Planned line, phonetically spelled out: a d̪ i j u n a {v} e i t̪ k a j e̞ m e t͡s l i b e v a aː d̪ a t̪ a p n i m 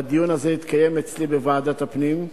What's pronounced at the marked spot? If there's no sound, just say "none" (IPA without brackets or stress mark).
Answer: z